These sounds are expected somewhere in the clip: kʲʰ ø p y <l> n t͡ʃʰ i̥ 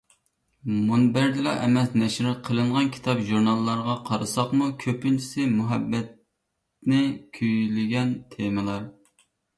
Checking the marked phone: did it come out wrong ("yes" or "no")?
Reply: yes